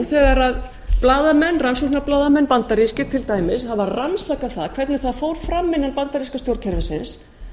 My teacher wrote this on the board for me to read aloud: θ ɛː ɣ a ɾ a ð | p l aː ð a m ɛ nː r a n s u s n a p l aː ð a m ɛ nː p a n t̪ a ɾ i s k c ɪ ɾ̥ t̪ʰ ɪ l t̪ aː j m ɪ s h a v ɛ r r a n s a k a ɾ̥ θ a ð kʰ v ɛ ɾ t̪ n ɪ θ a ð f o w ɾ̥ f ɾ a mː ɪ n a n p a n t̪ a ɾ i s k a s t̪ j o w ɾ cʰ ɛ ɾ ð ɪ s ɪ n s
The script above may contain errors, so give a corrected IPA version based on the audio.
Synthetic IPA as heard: θ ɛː ɣ a ɾ a ð | p l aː ð a m ɛ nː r a n s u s n a p l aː ð a m ɛ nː p a n t̪ a ɾ i s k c ɪ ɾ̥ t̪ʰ ɪ l t̪ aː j m ɪ s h a v a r r a n s a k a θ a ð kʰ v ɛ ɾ t̪ n ɪ θ a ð f o w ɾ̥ f ɾ a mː ɪ n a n p a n t̪ a ɾ i s k a s t̪ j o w ɾ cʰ ɛ ɾ v ɪ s ɪ n s